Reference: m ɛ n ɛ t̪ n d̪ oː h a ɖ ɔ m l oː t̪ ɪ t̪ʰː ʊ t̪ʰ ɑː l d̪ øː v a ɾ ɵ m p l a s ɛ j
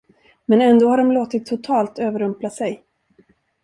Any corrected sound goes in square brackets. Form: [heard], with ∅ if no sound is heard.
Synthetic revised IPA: m ɛ n ɛ [∅] n d̪ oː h a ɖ ɔ m l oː t̪ ɪ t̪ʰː ʊ t̪ʰ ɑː l [t̪] øː v [ə] ɾ ɵ m p l a s ɛ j